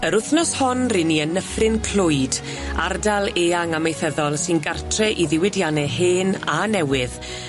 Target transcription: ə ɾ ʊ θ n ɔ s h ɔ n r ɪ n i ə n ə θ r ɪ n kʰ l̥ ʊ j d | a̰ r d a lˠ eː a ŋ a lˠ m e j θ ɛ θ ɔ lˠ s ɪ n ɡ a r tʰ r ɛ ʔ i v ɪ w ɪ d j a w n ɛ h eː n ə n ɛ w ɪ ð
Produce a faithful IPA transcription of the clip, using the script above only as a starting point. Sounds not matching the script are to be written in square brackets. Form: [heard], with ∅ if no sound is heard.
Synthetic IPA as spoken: ə ɾ ʊ θ n ɔ s h ɔ n r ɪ n i ə n ə [f] r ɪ n kʰ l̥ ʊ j d | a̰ r d a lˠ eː a ŋ a [∅] m e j θ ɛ [ð] ɔ lˠ s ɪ n ɡ a r tʰ r ɛ ʔ i [ð] ɪ w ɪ d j a [∅] n ɛ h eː n [a] n ɛ w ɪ ð